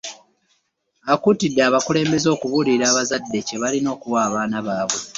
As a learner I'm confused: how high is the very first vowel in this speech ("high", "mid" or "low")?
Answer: low